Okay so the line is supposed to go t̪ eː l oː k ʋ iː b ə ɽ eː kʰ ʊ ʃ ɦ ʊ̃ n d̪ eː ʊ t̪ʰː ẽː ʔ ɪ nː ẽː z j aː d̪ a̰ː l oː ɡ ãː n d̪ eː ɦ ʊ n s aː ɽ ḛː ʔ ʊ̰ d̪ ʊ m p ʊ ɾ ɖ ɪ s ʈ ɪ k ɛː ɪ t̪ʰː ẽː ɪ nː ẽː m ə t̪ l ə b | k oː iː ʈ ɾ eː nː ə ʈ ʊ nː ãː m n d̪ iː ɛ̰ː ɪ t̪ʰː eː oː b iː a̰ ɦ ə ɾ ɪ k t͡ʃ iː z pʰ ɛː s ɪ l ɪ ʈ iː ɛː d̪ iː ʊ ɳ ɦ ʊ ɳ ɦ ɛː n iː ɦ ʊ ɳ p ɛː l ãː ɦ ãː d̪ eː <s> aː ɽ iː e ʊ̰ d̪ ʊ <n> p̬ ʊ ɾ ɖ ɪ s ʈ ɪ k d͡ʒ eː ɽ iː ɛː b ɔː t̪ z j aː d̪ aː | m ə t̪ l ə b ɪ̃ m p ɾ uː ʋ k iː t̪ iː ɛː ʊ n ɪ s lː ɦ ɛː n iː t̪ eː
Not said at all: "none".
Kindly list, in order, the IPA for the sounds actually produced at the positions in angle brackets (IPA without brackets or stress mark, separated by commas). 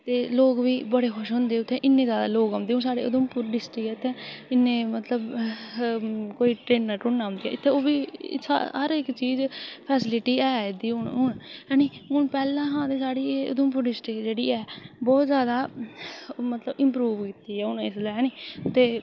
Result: s, m